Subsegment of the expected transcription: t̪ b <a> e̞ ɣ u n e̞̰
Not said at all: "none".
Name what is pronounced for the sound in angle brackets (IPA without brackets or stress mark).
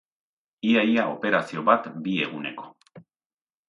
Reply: i